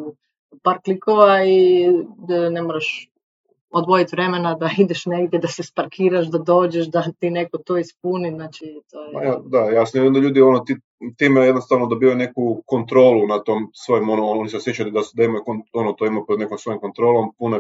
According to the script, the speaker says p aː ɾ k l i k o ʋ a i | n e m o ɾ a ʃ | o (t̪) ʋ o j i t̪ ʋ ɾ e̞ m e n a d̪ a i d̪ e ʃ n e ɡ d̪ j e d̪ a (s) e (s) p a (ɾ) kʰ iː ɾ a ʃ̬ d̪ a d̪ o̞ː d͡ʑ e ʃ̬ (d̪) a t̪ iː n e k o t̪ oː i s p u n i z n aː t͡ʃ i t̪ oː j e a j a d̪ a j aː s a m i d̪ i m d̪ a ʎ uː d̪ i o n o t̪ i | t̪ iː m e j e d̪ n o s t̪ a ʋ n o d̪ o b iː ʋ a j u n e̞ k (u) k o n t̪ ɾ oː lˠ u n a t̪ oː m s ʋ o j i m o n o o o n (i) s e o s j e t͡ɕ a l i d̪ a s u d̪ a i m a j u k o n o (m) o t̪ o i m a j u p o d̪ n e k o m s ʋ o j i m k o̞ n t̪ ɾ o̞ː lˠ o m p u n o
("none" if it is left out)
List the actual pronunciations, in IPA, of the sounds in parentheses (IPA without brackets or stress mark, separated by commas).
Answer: d̪, s, s, ɾ, d̪, u, i, n